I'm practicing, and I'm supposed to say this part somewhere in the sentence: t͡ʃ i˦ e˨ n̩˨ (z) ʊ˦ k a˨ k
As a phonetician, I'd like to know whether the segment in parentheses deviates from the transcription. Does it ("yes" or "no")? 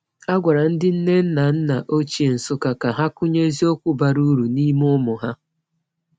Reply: yes